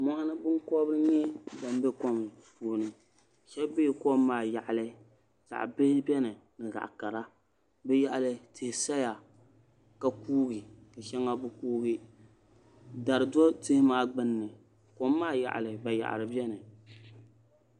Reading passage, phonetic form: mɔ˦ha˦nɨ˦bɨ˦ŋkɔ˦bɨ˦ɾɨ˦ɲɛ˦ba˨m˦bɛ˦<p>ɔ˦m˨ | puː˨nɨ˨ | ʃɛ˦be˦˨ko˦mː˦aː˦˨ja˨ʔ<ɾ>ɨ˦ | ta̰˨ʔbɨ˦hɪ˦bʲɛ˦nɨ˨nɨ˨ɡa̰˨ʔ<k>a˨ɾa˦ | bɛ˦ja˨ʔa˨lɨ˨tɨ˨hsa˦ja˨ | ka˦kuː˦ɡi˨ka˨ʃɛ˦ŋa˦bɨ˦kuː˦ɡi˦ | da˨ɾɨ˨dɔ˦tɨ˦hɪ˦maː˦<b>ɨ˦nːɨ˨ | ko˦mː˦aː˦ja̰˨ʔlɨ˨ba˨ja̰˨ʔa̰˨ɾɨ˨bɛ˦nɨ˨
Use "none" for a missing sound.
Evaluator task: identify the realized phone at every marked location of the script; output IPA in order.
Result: k, l, k, ɡ͡b

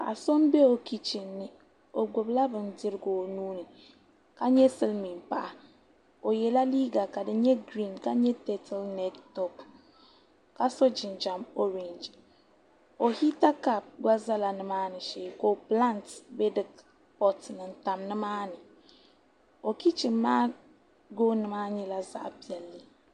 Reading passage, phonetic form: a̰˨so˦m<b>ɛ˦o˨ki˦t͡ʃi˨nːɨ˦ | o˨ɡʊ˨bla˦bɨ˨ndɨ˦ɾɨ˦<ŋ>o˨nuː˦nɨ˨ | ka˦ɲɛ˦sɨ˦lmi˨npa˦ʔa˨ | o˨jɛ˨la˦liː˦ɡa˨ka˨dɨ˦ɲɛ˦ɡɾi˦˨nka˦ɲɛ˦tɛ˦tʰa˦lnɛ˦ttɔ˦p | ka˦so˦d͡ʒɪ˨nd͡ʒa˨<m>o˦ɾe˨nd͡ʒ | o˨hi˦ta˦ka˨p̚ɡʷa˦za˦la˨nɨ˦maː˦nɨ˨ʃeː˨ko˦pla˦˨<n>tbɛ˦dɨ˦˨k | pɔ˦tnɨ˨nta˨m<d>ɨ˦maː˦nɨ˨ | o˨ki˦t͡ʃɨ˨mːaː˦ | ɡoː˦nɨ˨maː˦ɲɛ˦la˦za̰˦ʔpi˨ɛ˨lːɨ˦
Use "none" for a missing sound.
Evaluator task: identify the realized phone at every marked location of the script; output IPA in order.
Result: b, ɡ, m, n, n

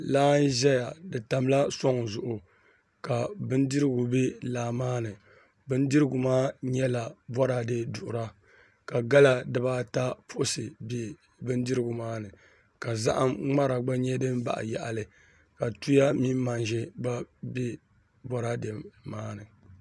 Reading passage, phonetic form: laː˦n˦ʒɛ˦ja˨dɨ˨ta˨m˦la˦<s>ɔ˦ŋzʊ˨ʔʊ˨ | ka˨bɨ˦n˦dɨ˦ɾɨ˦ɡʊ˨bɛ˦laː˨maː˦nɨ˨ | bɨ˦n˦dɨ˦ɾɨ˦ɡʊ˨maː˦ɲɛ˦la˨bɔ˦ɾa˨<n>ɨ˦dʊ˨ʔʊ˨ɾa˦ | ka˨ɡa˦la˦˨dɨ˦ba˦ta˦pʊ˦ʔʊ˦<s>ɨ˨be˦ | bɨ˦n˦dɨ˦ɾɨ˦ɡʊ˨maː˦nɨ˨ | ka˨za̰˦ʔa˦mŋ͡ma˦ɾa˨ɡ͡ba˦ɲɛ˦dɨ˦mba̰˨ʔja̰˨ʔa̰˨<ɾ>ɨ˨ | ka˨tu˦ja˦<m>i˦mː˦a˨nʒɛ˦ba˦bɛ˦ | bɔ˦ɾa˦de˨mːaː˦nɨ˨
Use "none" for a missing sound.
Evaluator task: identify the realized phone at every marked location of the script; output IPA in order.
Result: s, d, s, l, m

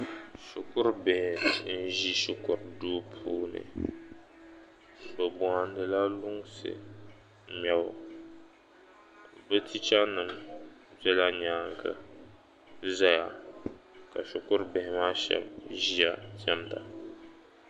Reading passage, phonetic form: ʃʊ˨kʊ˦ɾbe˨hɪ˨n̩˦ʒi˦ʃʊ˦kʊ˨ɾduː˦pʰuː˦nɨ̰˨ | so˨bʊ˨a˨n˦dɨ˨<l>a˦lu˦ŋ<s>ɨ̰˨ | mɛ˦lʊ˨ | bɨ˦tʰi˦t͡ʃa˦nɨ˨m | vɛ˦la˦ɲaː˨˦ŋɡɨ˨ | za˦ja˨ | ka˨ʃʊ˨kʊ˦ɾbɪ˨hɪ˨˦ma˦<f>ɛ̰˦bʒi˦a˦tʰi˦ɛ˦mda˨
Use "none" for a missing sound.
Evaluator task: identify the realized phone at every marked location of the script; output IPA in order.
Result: l, s, ʃ

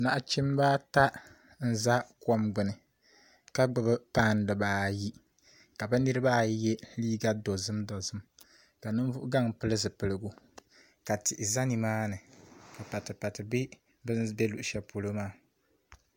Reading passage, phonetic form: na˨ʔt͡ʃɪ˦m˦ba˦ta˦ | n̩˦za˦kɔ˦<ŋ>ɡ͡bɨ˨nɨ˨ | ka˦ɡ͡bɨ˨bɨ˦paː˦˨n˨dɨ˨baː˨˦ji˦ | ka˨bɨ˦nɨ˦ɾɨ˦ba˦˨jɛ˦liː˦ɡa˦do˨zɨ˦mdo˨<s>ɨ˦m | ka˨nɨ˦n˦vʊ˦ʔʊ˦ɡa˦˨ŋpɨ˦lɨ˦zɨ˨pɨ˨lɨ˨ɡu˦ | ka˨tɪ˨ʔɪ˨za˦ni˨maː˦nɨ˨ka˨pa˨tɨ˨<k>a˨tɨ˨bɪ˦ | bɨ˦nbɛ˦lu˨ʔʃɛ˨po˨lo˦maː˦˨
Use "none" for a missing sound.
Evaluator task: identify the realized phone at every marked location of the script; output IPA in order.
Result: m, z, p

